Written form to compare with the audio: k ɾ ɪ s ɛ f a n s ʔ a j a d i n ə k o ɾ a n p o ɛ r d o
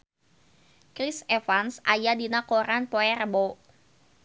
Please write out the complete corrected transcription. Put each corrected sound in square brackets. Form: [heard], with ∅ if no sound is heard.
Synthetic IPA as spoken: k ɾ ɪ s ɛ f a n s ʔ a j a d i n [a] k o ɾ a n p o ɛ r [b] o